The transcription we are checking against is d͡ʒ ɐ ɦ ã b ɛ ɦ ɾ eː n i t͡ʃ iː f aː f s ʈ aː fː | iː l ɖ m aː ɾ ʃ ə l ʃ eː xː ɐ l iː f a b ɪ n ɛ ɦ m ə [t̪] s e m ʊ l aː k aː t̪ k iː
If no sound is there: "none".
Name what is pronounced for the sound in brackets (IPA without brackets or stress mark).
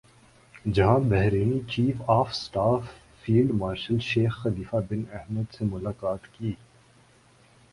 d̪